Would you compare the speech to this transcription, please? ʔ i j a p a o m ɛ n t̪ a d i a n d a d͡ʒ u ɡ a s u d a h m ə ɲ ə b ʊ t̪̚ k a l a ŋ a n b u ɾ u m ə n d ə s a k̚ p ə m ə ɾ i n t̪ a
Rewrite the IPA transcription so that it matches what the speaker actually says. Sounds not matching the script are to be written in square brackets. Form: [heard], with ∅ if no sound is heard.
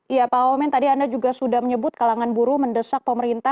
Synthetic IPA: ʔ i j a p a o m ɛ n t̪ a d i a n d a d͡ʒ u ɡ a s u d a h m ə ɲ ə b ʊ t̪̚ k a l a ŋ a n b u ɾ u m ə n d ə s a k̚ p ə m ə ɾ i n t̪ a